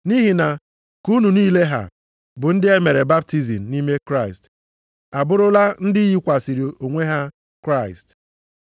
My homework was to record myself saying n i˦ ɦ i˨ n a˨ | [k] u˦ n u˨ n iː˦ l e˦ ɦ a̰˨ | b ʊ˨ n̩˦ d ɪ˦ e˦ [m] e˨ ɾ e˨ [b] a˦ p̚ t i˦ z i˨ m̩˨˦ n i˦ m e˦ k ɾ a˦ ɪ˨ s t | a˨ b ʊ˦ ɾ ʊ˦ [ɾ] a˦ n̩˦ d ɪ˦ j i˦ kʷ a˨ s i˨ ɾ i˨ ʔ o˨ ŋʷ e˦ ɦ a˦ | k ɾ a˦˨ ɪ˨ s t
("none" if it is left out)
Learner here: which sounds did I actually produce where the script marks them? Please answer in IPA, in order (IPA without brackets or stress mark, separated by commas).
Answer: k, m, b, l